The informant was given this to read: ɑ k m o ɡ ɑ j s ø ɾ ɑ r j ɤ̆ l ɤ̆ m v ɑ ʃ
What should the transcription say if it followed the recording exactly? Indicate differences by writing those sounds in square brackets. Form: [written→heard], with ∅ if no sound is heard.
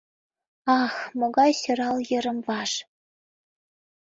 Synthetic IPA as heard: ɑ [k→x] m o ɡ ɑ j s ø ɾ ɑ [r→l] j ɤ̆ [l→ɾ] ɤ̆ m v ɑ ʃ